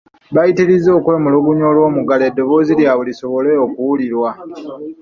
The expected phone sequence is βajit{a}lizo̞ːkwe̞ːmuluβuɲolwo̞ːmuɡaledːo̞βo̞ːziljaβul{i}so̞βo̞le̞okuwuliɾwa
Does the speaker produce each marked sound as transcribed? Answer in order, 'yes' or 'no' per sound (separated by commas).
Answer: no, yes